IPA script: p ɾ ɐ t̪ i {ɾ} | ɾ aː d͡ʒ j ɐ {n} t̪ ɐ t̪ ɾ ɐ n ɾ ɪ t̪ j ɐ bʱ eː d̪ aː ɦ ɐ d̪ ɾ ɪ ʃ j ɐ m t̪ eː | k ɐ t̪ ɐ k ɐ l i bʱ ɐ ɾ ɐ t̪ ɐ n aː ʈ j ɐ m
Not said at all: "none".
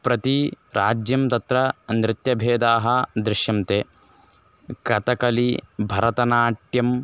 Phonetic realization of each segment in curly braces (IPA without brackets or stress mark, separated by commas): none, m